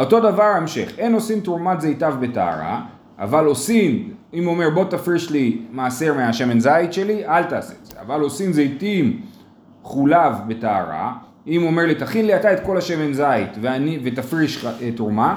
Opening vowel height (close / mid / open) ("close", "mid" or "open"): mid